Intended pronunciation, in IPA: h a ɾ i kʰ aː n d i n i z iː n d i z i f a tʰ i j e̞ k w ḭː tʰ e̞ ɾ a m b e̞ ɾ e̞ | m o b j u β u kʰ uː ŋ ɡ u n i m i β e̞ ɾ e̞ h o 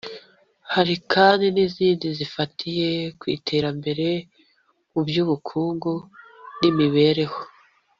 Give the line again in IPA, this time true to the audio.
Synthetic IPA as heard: h a ɾ i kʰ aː n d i n i z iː n d i z i f a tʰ i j e̞ k w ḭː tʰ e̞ ɾ a m b e̞ ɾ e̞ | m u b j u β u kʰ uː ŋ ɡ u n i m i β e̞ ɾ e̞ h o